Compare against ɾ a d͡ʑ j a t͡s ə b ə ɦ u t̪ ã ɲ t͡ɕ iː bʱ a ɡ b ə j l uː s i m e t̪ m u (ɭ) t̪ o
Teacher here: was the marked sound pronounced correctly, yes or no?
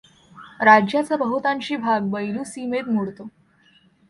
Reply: no